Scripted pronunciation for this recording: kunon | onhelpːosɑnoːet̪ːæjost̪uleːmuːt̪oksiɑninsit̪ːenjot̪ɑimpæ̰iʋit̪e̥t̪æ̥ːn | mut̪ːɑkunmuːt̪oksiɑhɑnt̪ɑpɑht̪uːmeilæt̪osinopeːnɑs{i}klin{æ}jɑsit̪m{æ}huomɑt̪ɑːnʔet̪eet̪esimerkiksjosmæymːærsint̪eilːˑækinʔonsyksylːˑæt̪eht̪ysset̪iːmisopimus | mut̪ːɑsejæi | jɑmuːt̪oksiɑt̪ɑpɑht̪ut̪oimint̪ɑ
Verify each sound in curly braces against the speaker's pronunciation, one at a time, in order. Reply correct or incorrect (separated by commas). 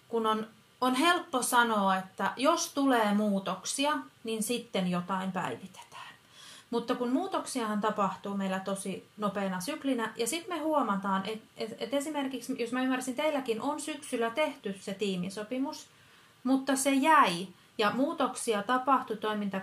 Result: incorrect, correct, incorrect